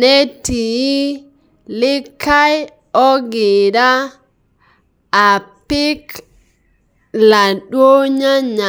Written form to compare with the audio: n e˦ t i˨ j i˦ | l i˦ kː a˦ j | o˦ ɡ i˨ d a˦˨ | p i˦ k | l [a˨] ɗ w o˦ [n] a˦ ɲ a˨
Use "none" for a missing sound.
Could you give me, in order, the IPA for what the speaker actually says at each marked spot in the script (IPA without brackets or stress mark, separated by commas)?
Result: a˨, ɲ